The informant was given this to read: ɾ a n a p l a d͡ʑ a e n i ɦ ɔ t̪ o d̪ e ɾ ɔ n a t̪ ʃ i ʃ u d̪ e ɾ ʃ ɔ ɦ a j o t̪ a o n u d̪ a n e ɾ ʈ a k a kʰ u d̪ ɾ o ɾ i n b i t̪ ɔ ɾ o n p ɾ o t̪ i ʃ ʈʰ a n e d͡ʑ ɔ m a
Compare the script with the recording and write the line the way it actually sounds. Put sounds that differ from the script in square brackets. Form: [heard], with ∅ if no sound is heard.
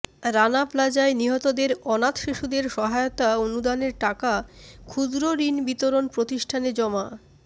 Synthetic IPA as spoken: ɾ a n a p l a d͡ʑ a e n i ɦ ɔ t̪ o d̪ e ɾ ɔ n a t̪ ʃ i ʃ u d̪ e ɾ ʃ ɔ ɦ a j o t̪ a o n u d̪ a n e ɾ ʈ a k a kʰ u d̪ ɾ o ɾ i n b i t̪ [o] ɾ o n p ɾ o t̪ i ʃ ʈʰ a n e d͡ʑ ɔ m a